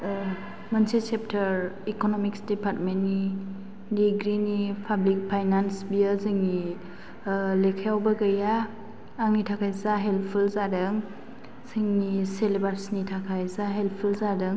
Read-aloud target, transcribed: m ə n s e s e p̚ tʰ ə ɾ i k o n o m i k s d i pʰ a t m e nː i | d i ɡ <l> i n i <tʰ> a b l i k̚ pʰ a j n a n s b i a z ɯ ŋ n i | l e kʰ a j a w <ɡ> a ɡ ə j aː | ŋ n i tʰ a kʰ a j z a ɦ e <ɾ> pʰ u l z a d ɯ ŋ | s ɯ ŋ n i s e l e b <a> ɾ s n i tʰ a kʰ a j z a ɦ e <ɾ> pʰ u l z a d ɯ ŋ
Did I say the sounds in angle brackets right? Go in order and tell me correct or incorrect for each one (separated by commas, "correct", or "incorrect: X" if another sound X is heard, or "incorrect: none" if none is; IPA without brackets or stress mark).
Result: incorrect: ɾ, incorrect: pʰ, incorrect: b, incorrect: l, correct, incorrect: l